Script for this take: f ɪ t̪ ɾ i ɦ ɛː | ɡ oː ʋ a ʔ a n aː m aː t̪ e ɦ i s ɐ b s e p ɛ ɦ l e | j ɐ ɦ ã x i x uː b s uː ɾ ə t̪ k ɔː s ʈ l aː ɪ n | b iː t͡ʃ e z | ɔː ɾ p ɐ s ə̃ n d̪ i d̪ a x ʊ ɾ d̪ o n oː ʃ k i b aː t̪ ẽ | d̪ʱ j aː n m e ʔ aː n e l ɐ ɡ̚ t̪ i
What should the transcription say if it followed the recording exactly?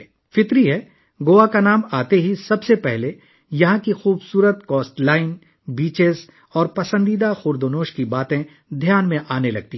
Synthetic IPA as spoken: f ɪ t̪ ɾ i ɦ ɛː | ɡ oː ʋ a k a n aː m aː t̪ e ɦ i s ɐ b s e p ɛ ɦ l e | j ɐ ɦ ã k i x uː b s uː ɾ ə t̪ k ɔː s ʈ l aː ɪ n | b iː t͡ʃ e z | ɔː ɾ p ɐ s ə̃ n d̪ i d̪ a x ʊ ɾ d̪ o n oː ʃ k i b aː t̪ ẽ | d̪ʱ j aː n m ẽ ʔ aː n e l ɐ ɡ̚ t̪ i

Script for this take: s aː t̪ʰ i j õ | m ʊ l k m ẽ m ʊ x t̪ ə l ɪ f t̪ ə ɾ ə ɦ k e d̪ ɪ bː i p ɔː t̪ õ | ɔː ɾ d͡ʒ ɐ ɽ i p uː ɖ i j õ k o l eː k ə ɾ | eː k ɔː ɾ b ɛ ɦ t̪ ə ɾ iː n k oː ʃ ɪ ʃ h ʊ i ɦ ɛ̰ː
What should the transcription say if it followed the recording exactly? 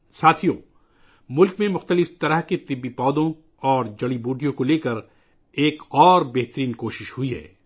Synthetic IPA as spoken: s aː t̪ʰ i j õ | m ʊ l k m ẽ m ʊ x t̪ ə l ɪ f t̪ ɐ ɾ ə ɦ k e t̪ ɪ bː i p ɔː d̪ õ | ɔː ɾ d͡ʒ ɐ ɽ i b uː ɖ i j õ k o l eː k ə ɾ | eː k ɔː ɾ b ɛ ɦ t̪ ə ɾ iː n k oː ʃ ɪ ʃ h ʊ i ɦ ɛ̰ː

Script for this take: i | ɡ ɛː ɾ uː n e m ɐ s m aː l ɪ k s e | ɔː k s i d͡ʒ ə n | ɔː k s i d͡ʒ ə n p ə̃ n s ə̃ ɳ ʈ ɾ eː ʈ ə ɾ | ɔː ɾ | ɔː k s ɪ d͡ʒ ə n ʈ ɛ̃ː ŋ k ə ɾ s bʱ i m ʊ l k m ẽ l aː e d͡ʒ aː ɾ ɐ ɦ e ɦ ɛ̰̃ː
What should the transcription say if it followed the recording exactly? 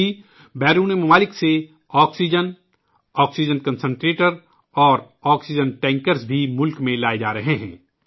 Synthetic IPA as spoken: i | b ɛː ɾ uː n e m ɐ m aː l ɪ k s e | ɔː k s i d͡ʒ ə n | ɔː k s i d͡ʒ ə n k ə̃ n s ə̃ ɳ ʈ ɾ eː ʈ ə ɾ | ɔː ɾ | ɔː k s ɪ d͡ʒ ə n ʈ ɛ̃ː ŋ k ə ɾ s bʱ i m ʊ l k m ẽ l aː e d͡ʒ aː ɾ ɐ ɦ e ɦ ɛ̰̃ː

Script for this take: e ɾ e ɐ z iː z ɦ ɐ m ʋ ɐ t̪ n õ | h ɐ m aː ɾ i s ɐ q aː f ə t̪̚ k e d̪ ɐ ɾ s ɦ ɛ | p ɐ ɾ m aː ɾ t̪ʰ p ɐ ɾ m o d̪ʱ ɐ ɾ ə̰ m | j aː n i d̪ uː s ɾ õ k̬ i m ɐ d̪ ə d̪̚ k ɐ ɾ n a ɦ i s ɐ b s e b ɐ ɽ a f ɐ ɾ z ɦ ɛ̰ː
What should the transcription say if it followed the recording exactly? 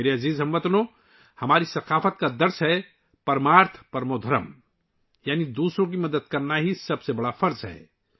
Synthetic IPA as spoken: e ɾ e ɐ z iː z ɦ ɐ m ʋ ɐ t̪ n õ | h ɐ m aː ɾ i s ɐ q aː f ə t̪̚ k a d̪ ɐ ɾ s ɦ ɛ | p ɐ ɾ m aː ɾ t̪ʰ p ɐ ɾ m o d̪ʱ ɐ ɾ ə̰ m | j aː n i d̪ uː s ɾ õ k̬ i m ɐ d̪ ə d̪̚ k ɐ ɾ n a ɦ i s ɐ b s e b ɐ ɽ a f ɐ ɾ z ɦ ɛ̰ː

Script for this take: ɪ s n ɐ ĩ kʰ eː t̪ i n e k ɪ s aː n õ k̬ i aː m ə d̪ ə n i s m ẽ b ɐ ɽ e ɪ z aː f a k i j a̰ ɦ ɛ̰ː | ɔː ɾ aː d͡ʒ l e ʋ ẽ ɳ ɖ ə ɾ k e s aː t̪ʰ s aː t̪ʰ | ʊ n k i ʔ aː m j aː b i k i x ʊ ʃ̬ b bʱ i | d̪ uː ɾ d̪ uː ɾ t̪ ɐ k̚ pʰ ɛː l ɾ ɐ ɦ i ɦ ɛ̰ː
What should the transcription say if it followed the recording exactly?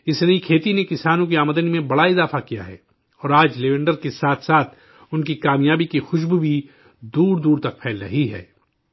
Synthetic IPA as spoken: ɪ s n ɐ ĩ kʰ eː t̪ i n e k ɪ s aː n õ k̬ i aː m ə d̪ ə n i m ẽ b ɐ ɽ a ɪ z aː f a k i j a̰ ɦ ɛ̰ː | ɔː ɾ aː d͡ʒ l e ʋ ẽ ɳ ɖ ə ɾ k e s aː t̪ʰ s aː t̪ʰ | ʊ n k i k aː m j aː b i k i x ʊ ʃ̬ b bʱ i | d̪ uː ɾ d̪ uː ɾ t̪ ɐ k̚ pʰ ɛː l ɾ ɐ ɦ i ɦ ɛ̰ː

